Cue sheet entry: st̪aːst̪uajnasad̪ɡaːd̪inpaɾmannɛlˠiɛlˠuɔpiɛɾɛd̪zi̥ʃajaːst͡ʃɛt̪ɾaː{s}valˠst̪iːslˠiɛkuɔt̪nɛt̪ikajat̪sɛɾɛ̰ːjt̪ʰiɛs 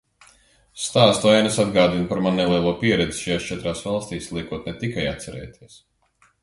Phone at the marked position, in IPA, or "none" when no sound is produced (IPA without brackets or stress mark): s